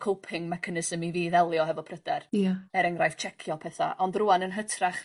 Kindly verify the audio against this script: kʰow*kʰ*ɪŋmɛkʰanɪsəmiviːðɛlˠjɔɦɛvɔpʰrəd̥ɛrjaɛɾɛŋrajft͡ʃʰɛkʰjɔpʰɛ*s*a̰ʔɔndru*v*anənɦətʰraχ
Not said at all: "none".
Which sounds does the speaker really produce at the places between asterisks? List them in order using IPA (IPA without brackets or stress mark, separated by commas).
pʰ, θ, none